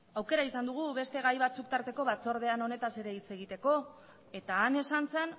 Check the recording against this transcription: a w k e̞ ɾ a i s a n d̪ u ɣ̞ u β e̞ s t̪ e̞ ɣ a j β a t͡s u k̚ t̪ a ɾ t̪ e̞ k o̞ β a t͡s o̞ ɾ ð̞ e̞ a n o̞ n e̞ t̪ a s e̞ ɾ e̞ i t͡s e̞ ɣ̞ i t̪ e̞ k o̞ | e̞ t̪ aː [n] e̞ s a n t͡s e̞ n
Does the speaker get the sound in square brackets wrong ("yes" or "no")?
no